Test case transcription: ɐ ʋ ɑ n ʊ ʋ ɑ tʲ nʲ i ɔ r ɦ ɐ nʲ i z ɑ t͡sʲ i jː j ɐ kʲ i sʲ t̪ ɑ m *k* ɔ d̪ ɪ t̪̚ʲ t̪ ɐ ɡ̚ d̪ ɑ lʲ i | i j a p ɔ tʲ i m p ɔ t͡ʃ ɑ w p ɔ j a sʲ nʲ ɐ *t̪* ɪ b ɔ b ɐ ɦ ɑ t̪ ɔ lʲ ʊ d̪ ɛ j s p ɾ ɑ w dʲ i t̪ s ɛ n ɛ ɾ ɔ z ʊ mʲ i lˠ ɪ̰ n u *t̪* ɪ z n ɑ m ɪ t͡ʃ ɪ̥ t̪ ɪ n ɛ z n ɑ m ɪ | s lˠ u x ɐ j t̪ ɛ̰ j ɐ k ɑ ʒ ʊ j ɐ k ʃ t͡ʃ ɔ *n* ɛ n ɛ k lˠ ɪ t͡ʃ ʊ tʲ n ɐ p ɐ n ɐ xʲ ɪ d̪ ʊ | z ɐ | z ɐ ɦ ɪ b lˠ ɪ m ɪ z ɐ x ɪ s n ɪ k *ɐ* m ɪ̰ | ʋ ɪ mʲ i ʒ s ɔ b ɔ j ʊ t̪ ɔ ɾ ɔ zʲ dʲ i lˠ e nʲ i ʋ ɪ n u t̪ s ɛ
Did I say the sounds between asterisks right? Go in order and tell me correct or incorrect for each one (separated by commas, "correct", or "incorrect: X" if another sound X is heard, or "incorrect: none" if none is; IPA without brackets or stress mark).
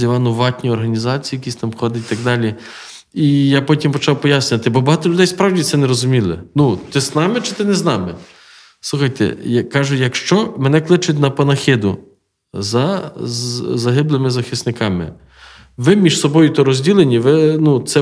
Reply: incorrect: x, correct, correct, incorrect: m, incorrect: ɑ